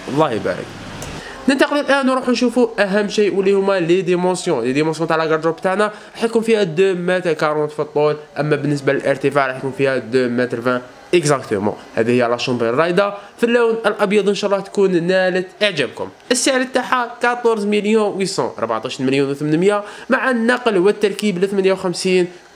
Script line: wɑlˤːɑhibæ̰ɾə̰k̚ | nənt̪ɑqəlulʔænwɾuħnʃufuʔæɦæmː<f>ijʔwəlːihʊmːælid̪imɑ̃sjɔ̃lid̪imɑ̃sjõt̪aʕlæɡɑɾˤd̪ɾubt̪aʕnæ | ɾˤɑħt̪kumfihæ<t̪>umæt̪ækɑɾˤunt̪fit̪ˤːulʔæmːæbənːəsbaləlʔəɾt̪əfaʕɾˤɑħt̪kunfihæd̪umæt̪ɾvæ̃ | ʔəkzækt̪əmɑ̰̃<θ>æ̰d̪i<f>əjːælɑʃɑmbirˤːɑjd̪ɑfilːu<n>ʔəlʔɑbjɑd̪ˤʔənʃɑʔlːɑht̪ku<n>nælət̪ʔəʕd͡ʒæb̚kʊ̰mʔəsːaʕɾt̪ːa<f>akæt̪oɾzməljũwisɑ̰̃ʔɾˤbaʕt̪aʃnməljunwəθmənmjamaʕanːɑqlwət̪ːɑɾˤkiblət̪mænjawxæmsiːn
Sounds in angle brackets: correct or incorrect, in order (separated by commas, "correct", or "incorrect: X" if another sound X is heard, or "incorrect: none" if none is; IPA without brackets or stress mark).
incorrect: ʃ, incorrect: d̪, incorrect: h, incorrect: h, correct, correct, incorrect: ħ